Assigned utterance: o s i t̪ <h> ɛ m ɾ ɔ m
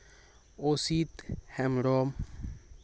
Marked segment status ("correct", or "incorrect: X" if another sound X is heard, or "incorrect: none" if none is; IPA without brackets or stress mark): correct